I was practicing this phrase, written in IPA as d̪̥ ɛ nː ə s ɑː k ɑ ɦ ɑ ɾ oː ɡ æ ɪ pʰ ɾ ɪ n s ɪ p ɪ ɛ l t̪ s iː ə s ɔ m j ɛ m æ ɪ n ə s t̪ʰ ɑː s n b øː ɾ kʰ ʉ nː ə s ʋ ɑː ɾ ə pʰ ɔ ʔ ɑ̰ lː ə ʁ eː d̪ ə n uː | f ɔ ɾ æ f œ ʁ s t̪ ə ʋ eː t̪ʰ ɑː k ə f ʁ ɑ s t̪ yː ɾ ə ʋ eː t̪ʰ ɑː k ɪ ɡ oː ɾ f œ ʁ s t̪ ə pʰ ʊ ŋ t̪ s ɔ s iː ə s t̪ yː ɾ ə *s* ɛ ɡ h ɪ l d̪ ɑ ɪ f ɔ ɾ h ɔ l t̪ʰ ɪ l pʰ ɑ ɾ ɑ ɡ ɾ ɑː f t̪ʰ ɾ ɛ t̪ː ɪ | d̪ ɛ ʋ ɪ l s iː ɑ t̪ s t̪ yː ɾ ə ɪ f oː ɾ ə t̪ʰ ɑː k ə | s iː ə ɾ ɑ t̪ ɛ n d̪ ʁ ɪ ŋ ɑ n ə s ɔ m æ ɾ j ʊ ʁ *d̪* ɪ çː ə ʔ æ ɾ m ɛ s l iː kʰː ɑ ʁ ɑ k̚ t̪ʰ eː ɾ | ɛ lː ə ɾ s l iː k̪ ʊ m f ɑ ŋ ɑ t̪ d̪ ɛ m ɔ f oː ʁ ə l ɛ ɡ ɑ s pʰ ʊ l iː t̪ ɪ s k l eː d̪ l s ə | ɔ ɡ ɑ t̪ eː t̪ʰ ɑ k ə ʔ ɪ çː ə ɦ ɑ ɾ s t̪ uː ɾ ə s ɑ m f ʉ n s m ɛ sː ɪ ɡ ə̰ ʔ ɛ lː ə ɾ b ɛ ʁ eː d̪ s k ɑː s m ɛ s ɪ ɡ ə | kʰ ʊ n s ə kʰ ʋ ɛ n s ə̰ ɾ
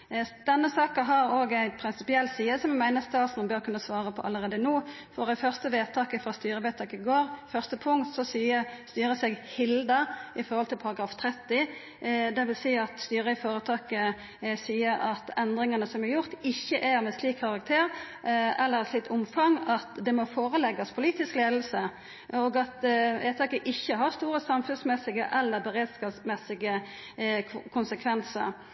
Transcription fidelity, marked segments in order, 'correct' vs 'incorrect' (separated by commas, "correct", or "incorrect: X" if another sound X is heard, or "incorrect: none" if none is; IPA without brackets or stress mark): correct, incorrect: t̪